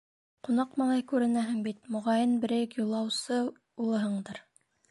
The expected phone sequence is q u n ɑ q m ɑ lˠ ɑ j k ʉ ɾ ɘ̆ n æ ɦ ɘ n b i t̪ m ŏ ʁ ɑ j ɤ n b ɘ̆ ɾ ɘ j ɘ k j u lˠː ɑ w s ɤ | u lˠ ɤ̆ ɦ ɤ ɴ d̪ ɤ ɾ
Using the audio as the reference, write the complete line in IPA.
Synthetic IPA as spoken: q u n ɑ q m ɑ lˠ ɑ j k ʉ ɾ ɘ̆ n æ ɦ ɘ ŋ b i t̪ m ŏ ʁ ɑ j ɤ n b ɘ̆ ɾ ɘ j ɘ k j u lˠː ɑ w s ɤ | u lˠ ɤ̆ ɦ ɤ ɴ d̪ ɤ ɾ